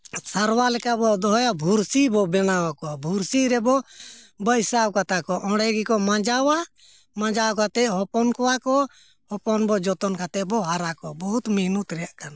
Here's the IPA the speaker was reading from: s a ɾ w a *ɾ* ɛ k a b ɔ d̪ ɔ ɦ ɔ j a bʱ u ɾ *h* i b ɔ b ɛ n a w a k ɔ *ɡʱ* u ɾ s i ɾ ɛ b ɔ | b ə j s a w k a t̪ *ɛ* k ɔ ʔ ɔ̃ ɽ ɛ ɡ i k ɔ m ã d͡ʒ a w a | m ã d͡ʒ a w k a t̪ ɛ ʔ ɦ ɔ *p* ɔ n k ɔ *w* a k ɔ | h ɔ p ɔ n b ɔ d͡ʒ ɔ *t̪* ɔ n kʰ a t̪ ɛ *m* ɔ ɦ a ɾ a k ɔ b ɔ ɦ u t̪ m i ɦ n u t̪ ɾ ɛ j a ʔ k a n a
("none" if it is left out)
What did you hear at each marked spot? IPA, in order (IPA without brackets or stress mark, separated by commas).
l, s, bʱ, a, p, w, t̪, b